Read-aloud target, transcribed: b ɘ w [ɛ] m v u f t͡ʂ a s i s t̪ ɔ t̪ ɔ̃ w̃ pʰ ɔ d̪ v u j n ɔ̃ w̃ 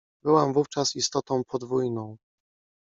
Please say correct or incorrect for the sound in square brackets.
incorrect